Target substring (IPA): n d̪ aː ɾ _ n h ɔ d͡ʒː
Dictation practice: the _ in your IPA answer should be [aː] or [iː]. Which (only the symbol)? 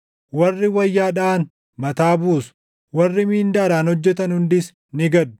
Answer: aː